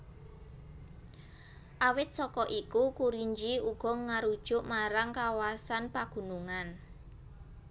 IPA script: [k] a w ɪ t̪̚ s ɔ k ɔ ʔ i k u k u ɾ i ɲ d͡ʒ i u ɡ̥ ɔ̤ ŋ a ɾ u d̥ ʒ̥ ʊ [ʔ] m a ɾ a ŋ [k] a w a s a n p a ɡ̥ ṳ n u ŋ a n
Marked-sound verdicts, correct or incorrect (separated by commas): incorrect, correct, correct